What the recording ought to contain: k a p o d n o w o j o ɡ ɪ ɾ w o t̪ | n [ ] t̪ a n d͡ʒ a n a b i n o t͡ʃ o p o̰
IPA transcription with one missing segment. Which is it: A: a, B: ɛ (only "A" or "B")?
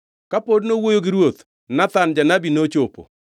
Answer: A